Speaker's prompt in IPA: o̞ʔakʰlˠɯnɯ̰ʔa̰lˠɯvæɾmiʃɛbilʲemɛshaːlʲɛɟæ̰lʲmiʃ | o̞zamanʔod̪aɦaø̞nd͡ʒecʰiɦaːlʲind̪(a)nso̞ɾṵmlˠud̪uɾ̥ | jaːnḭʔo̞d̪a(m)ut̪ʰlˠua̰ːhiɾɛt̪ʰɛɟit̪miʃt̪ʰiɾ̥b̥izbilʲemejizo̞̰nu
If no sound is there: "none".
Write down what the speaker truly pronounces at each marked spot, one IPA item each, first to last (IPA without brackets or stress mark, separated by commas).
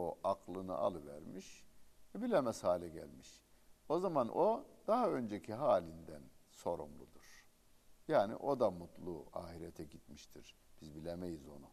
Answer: æ, m